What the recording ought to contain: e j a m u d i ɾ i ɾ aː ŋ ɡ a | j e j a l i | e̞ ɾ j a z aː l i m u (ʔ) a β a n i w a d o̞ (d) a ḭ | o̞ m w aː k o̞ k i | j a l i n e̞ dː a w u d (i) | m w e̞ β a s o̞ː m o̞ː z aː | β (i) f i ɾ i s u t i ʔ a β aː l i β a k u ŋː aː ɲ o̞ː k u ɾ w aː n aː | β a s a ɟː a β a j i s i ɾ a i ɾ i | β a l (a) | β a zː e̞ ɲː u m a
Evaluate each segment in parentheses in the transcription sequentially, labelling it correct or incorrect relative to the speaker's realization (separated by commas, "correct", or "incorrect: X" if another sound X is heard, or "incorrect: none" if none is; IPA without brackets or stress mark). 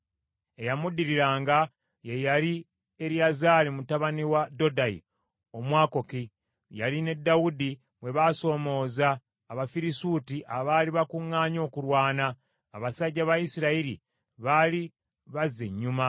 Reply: incorrect: t, correct, correct, incorrect: a, incorrect: i